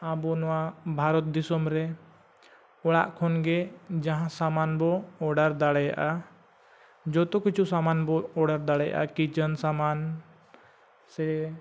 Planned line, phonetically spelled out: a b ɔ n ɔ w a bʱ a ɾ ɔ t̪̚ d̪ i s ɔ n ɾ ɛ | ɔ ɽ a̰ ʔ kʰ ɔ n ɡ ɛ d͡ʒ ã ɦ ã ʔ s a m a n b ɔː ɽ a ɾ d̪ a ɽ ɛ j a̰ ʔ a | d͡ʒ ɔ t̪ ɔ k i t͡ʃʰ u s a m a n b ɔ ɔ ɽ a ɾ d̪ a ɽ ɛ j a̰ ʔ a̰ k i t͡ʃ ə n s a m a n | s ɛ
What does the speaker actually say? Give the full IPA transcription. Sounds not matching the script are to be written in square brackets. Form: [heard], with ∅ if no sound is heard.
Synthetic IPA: a b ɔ n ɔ w a bʱ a ɾ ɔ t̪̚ d̪ i s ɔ [m] ɾ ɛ | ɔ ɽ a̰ ʔ kʰ ɔ n ɡ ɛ d͡ʒ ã ɦ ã [∅] s a m a n b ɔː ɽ a ɾ d̪ a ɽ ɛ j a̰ ʔ a | d͡ʒ ɔ t̪ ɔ k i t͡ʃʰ u s a m a n b ɔ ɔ ɽ a ɾ d̪ a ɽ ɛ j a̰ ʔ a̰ k i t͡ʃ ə n s a m a n | s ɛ